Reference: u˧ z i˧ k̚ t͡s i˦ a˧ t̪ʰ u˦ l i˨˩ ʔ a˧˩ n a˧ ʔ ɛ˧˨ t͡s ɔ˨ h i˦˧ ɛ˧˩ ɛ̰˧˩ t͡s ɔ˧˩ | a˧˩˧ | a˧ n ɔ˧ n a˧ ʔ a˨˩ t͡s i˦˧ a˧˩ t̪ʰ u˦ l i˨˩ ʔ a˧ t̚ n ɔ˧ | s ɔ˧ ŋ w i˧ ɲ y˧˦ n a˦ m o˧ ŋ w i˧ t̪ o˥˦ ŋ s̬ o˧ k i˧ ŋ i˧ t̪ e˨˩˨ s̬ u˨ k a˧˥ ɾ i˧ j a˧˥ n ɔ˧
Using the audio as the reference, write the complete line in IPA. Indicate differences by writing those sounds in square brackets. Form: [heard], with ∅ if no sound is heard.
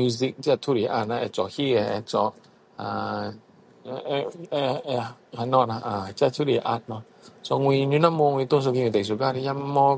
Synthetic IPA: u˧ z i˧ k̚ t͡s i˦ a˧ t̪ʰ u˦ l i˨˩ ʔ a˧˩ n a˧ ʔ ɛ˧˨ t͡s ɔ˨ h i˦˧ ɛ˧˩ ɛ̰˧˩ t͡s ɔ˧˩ | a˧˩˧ | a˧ n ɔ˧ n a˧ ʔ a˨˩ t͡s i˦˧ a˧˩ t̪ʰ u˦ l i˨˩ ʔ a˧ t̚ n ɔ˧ | s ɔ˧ ŋ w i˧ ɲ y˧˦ n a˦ m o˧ ŋ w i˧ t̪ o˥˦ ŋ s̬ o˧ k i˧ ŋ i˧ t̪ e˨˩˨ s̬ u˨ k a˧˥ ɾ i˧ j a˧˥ [m] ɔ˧